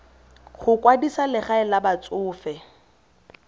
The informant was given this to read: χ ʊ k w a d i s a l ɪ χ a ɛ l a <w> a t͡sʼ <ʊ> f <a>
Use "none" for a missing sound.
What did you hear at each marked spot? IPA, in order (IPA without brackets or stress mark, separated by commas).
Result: b, ʊː, ɛ